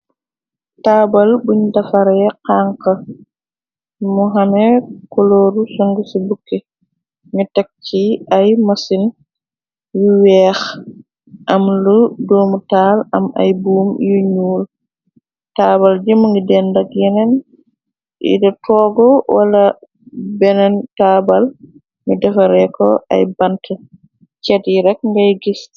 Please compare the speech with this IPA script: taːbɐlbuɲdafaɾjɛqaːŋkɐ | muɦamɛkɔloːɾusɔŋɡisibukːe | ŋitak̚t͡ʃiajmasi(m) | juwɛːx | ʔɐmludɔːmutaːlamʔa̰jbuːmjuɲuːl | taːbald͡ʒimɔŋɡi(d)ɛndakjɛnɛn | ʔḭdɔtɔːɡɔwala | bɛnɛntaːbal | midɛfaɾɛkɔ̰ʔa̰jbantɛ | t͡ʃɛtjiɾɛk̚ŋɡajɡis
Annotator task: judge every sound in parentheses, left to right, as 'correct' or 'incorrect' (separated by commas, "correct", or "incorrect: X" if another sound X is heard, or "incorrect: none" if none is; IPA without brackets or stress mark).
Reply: incorrect: n, correct